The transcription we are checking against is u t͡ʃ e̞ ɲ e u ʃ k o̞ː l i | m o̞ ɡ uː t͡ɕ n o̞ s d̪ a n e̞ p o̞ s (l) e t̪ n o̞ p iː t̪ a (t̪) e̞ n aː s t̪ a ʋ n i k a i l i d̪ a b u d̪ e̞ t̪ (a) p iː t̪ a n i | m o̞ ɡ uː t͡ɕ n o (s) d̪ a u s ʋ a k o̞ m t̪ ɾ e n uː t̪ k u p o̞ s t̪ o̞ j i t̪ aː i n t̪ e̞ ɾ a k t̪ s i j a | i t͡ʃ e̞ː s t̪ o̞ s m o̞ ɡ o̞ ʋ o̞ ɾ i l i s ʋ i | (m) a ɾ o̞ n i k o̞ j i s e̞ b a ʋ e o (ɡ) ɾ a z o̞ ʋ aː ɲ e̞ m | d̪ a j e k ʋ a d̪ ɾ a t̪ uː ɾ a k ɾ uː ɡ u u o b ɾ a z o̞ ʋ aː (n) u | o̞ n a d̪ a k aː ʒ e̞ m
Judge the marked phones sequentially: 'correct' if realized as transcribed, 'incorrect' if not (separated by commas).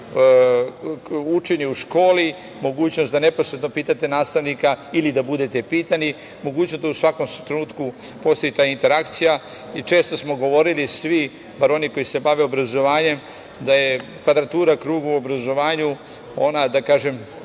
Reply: incorrect, correct, incorrect, correct, incorrect, incorrect, incorrect